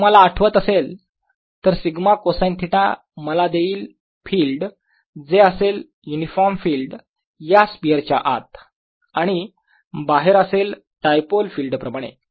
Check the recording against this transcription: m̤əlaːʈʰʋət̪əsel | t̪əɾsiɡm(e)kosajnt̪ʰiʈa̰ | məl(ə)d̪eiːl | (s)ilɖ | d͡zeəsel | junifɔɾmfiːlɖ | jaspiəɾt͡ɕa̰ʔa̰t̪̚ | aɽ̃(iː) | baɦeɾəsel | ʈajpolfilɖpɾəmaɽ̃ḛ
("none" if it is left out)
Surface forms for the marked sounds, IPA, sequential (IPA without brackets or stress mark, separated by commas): a, a, f, i